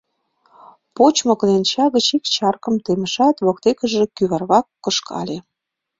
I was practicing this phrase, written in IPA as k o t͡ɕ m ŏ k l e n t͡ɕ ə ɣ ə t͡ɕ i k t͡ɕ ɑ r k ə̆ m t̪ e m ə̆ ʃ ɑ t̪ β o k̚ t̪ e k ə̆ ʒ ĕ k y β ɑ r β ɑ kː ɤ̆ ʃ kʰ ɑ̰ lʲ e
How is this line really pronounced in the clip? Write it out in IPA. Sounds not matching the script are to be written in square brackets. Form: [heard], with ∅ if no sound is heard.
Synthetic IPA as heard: [p] o t͡ɕ m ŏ k l e n t͡ɕ [ɑ] ɣ ə t͡ɕ i k t͡ɕ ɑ r k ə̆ m t̪ e m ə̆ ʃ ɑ t̪ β o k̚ t̪ e k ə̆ ʒ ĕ k y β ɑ r β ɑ kː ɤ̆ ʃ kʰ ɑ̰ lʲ e